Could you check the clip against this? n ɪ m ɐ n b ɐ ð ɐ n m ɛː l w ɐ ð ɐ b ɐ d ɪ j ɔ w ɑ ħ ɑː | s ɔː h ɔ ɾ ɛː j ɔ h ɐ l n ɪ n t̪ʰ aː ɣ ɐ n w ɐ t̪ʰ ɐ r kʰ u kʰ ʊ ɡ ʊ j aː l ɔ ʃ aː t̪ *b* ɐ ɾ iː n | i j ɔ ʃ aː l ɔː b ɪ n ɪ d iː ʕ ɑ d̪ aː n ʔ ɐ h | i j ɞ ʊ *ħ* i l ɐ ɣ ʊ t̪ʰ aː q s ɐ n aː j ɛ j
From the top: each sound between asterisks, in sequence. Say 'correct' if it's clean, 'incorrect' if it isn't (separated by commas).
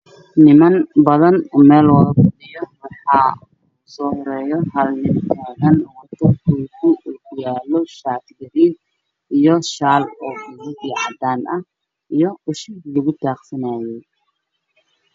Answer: incorrect, incorrect